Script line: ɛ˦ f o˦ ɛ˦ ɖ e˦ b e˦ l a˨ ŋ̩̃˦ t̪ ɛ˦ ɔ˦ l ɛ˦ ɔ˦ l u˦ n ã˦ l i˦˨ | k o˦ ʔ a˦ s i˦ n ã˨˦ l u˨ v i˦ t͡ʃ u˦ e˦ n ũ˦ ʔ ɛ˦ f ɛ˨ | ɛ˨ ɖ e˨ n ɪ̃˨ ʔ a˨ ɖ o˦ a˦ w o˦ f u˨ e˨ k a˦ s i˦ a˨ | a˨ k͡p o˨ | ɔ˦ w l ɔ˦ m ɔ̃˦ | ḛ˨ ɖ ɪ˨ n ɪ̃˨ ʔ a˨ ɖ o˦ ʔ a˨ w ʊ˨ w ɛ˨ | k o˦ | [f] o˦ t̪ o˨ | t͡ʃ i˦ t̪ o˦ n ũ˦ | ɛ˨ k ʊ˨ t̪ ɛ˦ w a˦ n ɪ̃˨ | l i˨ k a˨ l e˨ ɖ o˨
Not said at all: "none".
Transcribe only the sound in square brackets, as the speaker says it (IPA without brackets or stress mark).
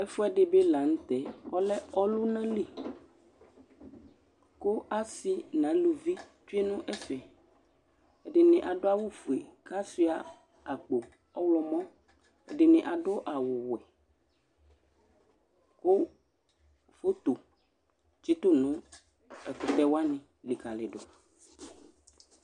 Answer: f